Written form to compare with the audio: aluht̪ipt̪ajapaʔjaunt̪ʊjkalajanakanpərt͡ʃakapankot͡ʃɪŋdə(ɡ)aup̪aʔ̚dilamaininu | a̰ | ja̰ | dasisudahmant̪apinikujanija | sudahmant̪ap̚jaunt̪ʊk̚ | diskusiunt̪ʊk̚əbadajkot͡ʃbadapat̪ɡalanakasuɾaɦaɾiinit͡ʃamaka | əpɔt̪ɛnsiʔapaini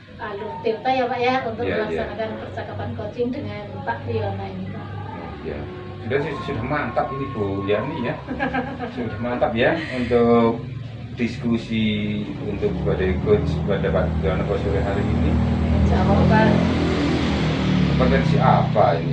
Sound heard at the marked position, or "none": ŋ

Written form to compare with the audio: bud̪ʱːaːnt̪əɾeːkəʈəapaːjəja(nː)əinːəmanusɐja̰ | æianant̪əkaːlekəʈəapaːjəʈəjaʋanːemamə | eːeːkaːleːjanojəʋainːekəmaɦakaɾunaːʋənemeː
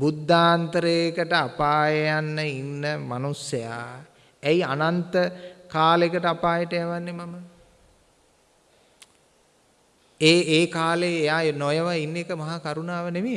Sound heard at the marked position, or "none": nː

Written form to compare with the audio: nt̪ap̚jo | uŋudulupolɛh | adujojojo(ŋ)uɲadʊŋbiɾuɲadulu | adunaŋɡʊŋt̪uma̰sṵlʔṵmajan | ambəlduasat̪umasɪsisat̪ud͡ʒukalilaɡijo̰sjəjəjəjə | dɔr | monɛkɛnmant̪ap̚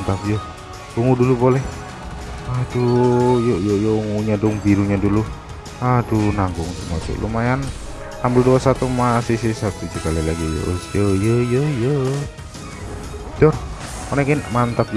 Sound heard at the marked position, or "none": ŋ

